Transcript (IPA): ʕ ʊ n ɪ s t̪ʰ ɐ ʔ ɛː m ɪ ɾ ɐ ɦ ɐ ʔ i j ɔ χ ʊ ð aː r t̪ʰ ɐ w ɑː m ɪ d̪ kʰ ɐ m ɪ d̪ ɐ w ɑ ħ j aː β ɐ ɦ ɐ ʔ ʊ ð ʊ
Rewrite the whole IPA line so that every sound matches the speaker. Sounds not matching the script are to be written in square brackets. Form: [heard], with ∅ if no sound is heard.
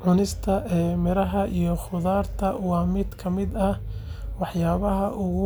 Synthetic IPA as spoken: ʕ ʊ n ɪ s t̪ʰ ɐ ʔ ɛː m ɪ ɾ ɐ ɦ ɐ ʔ i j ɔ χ ʊ ð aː r t̪ʰ ɐ w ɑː m ɪ d̪ kʰ ɐ m ɪ d̪ ɐ w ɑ ħ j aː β ɐ ɦ ɐ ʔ ʊ [ɣ] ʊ